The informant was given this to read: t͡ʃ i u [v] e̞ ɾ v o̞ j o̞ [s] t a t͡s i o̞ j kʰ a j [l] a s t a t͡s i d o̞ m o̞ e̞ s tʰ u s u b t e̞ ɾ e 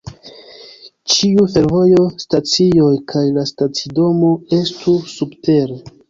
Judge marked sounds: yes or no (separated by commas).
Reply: no, yes, yes